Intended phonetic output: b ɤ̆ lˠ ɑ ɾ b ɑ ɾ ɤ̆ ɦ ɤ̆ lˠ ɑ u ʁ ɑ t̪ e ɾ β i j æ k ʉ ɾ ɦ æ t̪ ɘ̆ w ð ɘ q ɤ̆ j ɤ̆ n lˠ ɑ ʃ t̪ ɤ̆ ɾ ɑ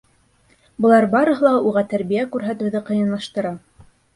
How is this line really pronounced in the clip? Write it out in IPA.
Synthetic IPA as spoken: b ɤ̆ lˠ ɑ ɾ b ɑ ɾ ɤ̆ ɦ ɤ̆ lˠ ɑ u ʁ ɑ t̪ æ ɾ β i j æ k ʉ ɾ ɦ æ t̪ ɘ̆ w ð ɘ q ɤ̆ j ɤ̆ n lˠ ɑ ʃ t̪ ɤ̆ ɾ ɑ